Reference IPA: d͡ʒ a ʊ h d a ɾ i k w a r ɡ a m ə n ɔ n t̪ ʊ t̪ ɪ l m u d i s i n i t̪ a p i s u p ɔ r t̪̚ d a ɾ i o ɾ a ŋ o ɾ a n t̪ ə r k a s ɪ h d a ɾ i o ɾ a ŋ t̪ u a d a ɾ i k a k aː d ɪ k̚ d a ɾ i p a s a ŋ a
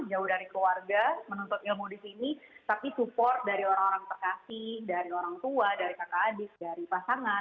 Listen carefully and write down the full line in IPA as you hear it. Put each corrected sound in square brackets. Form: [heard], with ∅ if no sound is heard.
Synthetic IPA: d͡ʒ a ʊ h d a ɾ i k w a r ɡ a m ə n ɔ n t̪ ʊ t̪ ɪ l m u d i s i n i t̪ a p i s u p ɔ r t̪̚ d a ɾ i o ɾ a ŋ o ɾ a [ŋ] t̪ ə r k a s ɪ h d a ɾ i o ɾ a ŋ t̪ u a d a ɾ i k a k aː d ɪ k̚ d a ɾ i p a s a ŋ a